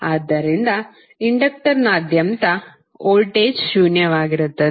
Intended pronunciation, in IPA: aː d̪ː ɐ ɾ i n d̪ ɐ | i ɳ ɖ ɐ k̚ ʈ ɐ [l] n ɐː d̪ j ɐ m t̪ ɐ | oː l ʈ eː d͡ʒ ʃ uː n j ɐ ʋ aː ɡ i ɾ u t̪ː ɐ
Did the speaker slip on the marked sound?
yes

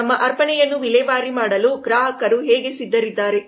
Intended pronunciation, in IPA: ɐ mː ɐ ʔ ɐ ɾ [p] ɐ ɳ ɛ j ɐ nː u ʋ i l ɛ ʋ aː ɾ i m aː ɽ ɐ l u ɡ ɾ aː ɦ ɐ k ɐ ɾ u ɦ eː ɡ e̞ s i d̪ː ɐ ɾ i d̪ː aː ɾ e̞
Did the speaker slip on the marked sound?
no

